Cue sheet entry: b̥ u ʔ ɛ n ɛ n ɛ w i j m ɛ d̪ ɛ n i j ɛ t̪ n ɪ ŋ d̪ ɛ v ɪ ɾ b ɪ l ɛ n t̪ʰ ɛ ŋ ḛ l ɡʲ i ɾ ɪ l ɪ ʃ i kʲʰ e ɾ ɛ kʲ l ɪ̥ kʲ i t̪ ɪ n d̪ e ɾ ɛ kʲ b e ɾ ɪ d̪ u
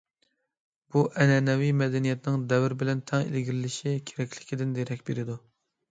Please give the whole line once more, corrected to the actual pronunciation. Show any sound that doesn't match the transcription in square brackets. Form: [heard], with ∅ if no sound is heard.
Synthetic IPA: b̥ u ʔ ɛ n ɛ n ɛ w i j m ɛ d̪ ɛ n i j ɛ t̪ n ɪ ŋ d̪ ɛ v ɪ ɾ b ɪ l ɛ n t̪ʰ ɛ ŋ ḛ l ɡʲ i ɾ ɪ l ɪ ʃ i kʲʰ e ɾ ɛ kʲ l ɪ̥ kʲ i [d̪] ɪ n d̪ e ɾ ɛ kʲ b e ɾ ɪ d̪ u